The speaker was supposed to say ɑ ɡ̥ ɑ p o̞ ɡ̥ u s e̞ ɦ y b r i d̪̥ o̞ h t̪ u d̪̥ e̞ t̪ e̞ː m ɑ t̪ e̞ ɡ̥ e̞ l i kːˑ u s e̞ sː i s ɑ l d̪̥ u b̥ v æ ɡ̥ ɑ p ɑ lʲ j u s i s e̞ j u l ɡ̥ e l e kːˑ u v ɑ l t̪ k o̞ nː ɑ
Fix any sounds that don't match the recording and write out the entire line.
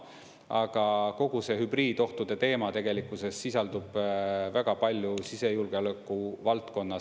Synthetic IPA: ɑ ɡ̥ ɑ k o̞ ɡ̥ u s e̞ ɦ y b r iː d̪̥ o̞ h t̪ u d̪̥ e̞ t̪ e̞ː m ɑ t̪ e̞ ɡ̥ e̞ l i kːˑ u s e̞ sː i s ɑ l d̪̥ u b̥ v æ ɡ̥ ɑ p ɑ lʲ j u s i s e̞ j u l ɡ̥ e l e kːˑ u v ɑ l t̪ k o̞ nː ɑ